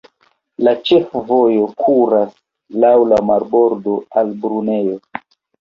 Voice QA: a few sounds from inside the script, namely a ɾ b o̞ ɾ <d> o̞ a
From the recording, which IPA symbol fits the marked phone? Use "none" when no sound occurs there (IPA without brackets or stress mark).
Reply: d